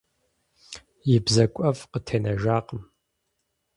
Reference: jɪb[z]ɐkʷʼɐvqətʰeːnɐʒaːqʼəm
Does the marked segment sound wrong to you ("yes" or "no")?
no